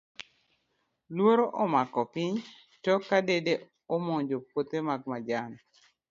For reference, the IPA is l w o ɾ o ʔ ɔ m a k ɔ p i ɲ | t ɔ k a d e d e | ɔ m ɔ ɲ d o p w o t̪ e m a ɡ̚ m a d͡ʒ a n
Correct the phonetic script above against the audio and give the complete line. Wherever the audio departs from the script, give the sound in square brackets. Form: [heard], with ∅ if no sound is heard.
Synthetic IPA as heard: l w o ɾ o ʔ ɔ m a k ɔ p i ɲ | t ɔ k a d e d e | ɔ m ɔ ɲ [d͡ʒ] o p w o t̪ e m a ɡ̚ m a d͡ʒ a n